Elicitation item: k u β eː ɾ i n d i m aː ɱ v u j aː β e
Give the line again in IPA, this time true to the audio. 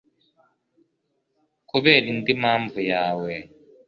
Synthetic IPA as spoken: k u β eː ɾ i n d i m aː ɱ v u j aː w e